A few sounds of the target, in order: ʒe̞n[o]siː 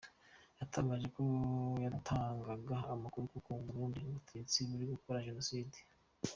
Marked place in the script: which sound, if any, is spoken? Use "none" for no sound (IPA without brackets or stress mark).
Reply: o